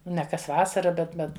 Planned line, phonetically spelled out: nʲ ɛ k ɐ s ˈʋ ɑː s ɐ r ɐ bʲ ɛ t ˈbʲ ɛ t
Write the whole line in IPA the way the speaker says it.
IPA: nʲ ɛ k ɐ s ˈʋ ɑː s ɐ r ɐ bʲ ɛ t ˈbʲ ɛ t